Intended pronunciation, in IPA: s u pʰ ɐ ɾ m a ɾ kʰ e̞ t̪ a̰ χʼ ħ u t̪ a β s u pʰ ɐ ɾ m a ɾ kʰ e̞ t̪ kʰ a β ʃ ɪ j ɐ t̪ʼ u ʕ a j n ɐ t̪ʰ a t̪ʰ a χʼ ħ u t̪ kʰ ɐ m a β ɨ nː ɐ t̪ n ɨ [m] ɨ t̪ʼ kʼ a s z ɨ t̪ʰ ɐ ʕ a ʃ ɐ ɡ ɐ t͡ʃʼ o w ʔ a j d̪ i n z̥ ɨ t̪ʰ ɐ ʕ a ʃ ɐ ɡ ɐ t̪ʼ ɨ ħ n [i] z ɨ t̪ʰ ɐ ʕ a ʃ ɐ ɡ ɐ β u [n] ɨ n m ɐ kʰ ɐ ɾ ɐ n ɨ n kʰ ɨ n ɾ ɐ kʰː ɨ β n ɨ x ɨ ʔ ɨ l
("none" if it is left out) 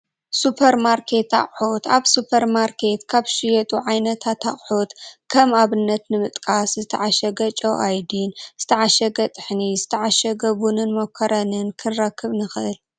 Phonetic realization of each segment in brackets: m, i, n

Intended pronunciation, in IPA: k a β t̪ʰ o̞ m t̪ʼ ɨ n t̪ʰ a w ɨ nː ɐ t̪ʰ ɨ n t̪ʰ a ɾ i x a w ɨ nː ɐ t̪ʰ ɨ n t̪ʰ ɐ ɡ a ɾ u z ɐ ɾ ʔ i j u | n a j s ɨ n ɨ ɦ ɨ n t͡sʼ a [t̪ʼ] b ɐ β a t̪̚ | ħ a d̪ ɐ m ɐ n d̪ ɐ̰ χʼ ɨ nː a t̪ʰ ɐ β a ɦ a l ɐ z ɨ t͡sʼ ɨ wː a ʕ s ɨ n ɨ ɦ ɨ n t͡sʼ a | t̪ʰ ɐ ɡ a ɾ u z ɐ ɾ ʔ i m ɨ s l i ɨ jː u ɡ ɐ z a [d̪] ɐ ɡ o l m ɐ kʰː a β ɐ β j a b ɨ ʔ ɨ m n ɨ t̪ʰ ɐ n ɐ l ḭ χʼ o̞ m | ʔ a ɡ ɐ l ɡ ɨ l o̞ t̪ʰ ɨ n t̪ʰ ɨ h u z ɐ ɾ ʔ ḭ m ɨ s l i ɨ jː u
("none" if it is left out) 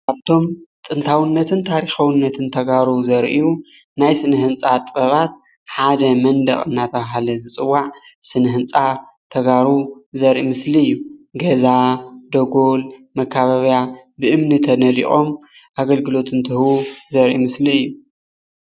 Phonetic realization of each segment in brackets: t̪ʼ, d̪

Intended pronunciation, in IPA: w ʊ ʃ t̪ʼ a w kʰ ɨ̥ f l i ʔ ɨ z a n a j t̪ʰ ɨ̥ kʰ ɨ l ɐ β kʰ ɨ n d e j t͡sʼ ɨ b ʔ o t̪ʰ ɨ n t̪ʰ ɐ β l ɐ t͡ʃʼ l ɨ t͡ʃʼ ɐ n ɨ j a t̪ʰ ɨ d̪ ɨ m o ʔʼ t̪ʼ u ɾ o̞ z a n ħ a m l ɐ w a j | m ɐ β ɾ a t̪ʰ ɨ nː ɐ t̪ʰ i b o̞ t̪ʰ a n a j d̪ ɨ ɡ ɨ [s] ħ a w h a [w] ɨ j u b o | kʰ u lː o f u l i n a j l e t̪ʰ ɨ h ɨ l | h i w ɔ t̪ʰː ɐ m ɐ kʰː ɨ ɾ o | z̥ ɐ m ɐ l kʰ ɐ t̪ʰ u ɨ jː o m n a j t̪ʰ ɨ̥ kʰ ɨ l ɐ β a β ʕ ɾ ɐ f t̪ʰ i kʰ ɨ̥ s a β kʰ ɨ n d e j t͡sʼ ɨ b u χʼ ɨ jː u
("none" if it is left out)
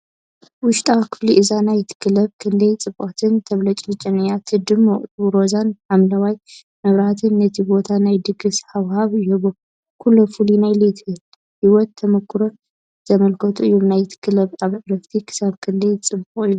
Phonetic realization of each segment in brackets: s, β

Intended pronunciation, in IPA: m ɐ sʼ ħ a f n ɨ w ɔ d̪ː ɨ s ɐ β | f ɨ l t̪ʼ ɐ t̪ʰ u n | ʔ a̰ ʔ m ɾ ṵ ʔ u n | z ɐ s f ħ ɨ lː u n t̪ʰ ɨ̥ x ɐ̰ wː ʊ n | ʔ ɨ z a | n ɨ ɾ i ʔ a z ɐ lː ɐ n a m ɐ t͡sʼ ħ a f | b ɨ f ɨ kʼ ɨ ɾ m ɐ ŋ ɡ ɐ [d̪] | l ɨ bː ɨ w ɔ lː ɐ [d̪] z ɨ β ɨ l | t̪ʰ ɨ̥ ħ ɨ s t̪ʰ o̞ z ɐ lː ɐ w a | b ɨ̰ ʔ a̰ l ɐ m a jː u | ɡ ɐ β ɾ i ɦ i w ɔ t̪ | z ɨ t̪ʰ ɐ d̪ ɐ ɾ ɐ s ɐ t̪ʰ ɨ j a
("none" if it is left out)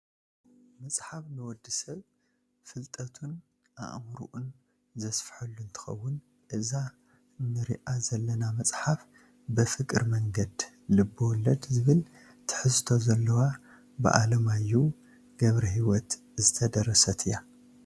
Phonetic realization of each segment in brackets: d̪, d̪

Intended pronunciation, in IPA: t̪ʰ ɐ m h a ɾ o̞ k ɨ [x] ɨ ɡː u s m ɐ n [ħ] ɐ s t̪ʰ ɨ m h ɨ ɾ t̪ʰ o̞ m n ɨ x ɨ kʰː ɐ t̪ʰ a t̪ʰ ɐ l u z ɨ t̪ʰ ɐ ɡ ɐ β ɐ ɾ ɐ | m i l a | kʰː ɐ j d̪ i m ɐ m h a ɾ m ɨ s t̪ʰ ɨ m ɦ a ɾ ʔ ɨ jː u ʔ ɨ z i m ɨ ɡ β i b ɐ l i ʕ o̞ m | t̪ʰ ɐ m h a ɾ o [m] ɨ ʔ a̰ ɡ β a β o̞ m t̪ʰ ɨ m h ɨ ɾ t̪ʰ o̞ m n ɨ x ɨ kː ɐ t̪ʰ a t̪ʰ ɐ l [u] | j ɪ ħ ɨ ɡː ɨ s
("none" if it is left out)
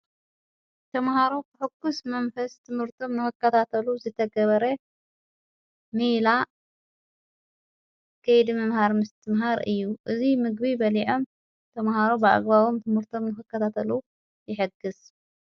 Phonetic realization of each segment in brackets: ħ, f, b, u

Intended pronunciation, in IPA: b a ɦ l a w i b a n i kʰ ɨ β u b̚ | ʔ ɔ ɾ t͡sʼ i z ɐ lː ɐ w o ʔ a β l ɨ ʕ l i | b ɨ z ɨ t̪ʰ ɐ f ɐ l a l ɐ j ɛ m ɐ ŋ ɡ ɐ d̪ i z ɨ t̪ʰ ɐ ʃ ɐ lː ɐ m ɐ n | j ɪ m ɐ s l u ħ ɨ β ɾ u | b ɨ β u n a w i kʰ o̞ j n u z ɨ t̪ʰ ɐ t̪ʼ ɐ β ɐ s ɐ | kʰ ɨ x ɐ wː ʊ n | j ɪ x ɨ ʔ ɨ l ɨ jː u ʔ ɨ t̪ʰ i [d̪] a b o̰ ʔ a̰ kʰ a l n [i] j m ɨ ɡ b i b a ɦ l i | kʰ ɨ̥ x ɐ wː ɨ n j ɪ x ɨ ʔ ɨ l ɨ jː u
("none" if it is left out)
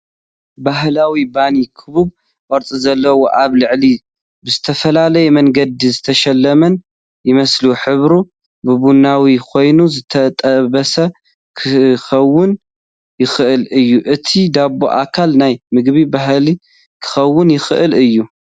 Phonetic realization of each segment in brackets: d̪, a

